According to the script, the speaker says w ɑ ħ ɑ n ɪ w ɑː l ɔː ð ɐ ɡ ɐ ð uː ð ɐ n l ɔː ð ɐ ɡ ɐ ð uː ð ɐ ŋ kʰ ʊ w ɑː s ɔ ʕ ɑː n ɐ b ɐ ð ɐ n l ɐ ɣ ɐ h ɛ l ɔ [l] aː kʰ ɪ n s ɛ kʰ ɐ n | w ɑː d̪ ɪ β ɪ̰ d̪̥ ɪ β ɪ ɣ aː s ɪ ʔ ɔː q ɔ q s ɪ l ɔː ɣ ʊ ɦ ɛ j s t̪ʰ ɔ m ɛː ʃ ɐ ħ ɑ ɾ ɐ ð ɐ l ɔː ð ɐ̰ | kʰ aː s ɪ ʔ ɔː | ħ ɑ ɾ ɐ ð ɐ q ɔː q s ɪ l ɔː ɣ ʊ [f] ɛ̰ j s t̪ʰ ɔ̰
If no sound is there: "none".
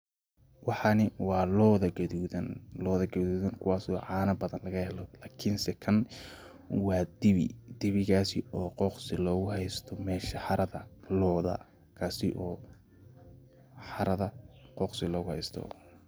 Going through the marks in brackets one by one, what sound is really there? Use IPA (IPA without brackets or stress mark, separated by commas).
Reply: l, h